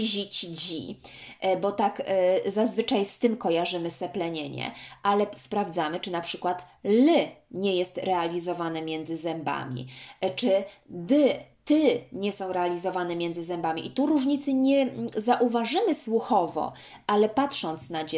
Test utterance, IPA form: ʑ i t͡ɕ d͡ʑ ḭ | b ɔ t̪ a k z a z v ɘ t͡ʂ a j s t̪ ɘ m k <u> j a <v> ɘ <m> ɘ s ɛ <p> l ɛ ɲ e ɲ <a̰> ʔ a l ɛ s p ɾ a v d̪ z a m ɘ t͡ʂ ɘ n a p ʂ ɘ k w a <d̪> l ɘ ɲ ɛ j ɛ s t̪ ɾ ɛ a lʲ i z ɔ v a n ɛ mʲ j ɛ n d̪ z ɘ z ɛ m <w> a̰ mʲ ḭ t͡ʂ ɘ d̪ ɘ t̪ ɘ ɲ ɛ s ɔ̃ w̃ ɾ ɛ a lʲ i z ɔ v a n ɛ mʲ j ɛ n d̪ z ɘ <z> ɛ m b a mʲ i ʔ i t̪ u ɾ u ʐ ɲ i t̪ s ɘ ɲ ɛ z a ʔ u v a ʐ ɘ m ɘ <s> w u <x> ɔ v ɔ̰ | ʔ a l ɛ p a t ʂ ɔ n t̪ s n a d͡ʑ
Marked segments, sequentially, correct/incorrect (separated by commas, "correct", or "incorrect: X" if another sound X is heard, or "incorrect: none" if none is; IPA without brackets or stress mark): incorrect: ɔ, incorrect: ʐ, correct, correct, incorrect: ɛ̰, incorrect: t̪, incorrect: b, correct, correct, correct